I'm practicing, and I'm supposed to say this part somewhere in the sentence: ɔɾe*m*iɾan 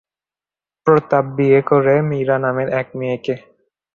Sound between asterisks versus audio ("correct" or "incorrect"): correct